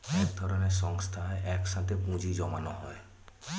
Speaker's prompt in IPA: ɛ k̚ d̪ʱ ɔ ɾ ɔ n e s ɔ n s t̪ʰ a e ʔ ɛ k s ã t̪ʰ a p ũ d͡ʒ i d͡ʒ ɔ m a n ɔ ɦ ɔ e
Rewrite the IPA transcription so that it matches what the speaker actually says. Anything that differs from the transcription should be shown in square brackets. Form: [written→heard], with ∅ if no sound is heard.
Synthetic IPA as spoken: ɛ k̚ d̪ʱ ɔ ɾ ɔ n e s ɔ [n→ŋ] s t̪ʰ a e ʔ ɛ k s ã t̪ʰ [a→e] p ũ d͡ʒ i d͡ʒ ɔ m a n ɔ ɦ ɔ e